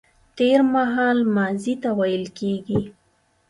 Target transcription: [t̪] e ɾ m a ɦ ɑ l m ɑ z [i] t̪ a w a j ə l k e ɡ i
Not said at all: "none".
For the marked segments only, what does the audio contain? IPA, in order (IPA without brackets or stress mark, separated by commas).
t̪, i